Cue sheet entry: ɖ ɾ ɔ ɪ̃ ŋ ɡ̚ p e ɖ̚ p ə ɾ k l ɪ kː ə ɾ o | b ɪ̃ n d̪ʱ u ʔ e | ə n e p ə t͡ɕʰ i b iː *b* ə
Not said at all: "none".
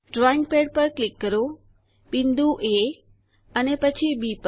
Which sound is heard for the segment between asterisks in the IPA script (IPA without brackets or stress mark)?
p